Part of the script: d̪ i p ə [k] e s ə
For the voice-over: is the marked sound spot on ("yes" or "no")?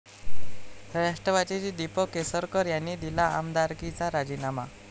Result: yes